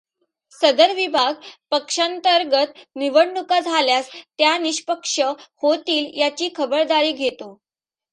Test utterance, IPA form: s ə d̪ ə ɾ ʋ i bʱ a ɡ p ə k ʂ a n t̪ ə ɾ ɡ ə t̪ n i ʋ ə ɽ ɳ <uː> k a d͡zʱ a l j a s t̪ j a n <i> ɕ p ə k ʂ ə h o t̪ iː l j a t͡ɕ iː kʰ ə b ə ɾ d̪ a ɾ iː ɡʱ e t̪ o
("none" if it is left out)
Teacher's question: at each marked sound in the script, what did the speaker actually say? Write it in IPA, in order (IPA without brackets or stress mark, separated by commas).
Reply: u, i